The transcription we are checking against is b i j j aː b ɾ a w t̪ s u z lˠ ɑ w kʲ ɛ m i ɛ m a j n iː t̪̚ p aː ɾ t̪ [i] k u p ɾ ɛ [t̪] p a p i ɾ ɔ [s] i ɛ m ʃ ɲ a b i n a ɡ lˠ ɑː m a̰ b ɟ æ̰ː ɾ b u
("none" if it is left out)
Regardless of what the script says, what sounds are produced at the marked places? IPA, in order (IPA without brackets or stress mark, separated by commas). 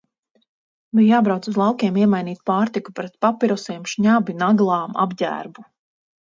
i, t̪, s